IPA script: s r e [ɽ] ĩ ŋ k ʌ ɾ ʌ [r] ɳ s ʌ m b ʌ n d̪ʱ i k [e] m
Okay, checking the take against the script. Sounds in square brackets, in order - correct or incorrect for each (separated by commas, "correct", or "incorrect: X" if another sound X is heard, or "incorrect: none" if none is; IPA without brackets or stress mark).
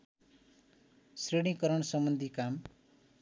correct, incorrect: none, incorrect: a